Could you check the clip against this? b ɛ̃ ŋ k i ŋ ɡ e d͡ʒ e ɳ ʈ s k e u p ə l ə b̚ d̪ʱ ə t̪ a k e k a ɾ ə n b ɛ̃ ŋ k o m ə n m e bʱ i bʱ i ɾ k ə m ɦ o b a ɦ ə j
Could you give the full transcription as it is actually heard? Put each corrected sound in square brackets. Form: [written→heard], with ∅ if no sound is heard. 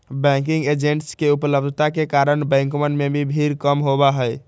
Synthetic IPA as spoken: b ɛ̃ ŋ k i ŋ ɡ e d͡ʒ e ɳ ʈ s k e u p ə l ə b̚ d̪ʱ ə t̪ a k e k a ɾ ə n b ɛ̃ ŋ k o m ə n m e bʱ i bʱ i ɾ k ə m ɦ o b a ɦ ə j